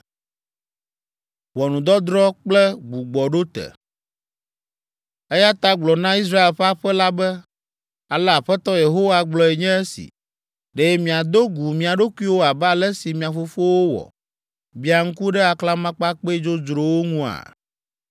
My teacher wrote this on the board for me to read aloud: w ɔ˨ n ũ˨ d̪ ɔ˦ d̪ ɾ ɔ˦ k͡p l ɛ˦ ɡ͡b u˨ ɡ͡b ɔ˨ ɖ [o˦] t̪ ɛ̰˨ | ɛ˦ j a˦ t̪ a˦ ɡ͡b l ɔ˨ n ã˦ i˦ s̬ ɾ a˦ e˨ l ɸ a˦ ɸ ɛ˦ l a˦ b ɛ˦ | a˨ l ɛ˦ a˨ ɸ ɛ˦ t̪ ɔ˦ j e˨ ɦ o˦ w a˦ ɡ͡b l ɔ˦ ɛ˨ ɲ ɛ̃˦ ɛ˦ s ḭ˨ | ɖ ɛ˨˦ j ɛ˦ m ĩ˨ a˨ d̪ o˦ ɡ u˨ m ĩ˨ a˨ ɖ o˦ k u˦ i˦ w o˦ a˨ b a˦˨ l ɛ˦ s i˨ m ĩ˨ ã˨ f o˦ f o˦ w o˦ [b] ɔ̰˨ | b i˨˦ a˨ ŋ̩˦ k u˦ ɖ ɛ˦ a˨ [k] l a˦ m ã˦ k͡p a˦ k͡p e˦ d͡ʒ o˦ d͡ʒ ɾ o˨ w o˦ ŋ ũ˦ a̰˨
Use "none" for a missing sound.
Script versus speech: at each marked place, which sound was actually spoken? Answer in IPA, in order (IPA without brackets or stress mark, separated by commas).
o˦, w, k